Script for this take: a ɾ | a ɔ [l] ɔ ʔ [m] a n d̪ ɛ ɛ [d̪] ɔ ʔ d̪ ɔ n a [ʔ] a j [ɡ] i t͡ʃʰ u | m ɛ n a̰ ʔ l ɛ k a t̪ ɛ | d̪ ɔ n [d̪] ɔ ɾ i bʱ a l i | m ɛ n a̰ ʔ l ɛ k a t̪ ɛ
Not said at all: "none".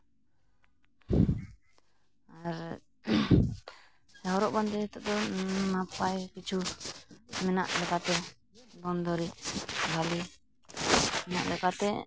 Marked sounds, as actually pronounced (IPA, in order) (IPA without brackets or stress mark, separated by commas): ɾ, b, t̪, p, k, d̪